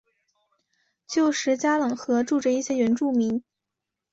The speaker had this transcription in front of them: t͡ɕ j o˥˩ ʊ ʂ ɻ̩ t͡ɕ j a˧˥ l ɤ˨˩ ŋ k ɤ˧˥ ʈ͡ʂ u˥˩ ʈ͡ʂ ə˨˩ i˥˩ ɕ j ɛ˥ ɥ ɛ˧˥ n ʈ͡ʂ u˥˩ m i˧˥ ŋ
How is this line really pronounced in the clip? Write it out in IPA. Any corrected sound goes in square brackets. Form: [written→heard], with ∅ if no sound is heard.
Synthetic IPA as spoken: t͡ɕ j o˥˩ ʊ ʂ ɻ̩ t͡ɕ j [a˧˥→a˥] l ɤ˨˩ ŋ [k→x] ɤ˧˥ ʈ͡ʂ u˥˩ ʈ͡ʂ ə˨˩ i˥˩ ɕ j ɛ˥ ɥ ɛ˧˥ n ʈ͡ʂ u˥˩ m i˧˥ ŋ